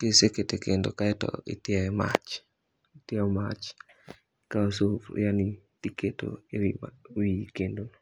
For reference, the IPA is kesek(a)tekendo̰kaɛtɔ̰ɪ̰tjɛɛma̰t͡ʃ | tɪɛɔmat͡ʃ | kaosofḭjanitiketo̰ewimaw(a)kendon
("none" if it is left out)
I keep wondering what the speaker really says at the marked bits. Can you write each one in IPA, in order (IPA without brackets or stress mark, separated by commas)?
e, i